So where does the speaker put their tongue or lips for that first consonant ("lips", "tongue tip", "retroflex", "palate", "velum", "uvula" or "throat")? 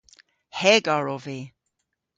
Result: throat